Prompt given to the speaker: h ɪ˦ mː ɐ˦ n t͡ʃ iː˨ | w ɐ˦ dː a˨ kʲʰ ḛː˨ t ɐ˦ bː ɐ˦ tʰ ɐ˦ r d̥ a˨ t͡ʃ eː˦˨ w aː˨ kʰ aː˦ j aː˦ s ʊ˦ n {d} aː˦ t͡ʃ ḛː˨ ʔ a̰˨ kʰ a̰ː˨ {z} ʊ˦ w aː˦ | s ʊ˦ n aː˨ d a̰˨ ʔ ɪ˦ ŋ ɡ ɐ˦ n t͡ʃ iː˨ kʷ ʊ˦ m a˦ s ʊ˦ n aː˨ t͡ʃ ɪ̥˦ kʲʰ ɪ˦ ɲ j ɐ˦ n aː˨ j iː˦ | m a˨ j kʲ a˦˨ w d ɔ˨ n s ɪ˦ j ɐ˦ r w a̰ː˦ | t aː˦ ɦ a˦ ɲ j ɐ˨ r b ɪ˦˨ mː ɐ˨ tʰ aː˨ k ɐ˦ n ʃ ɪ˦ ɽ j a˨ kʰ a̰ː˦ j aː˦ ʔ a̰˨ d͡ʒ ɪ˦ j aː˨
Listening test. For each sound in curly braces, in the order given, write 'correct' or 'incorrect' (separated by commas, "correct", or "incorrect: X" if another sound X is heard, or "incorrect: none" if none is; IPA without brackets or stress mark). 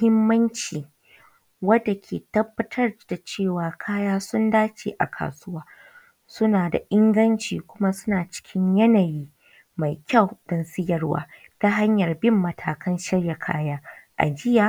correct, incorrect: s